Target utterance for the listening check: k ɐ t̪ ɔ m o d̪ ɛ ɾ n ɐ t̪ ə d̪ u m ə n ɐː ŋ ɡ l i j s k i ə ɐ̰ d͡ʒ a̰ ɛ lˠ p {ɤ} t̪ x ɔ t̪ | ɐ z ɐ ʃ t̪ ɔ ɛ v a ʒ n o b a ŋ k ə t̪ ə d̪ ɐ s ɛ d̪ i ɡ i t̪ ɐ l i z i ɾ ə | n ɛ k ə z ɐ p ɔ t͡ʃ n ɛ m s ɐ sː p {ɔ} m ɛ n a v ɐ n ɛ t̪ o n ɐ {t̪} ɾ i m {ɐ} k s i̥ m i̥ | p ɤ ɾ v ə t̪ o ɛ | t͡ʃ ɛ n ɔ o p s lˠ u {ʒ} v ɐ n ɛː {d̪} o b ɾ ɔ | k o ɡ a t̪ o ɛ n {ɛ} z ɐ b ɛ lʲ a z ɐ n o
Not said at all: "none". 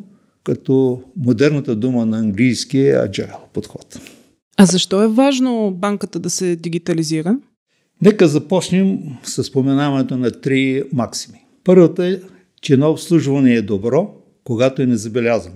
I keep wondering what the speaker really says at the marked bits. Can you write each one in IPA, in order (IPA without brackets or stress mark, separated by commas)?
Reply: o, o, t̪, a, ʒ, d̪, ɛ